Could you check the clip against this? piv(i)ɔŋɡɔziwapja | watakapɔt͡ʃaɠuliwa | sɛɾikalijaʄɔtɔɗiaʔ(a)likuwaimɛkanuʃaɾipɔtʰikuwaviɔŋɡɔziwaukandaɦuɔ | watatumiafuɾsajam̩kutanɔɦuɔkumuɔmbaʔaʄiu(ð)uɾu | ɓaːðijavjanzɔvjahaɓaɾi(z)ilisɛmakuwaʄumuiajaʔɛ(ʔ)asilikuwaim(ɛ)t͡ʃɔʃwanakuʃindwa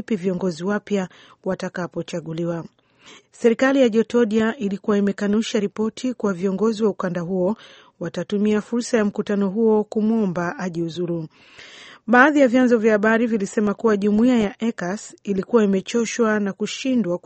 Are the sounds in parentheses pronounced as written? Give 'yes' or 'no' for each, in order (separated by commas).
yes, no, no, no, no, yes